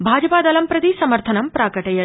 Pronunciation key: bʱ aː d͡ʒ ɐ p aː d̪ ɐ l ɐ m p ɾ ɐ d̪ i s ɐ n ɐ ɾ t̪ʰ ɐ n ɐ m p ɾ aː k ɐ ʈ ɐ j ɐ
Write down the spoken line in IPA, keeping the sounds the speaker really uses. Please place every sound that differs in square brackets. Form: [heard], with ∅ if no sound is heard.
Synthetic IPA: bʱ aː d͡ʒ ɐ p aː d̪ ɐ l ɐ m p ɾ ɐ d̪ i s ɐ [m] ɐ ɾ t̪ʰ ɐ n ɐ m p ɾ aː k ɐ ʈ ɐ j ɐ